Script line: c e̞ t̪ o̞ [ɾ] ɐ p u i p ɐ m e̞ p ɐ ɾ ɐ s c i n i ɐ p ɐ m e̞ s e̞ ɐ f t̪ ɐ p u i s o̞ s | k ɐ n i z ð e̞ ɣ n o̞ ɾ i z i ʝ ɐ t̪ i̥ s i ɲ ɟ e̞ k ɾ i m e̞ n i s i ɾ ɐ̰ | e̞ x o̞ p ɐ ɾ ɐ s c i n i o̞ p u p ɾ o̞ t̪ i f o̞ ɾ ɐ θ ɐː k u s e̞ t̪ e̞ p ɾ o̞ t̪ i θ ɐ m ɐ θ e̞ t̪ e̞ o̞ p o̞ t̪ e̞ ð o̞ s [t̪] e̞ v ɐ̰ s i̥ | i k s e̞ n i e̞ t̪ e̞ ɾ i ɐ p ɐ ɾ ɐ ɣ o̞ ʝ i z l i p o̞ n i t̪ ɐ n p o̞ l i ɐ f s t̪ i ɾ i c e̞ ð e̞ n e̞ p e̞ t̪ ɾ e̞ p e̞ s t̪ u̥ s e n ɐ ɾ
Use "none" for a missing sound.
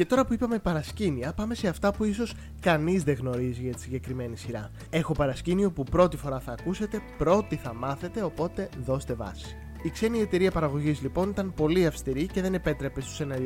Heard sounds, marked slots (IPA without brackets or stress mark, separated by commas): ɾ, t̪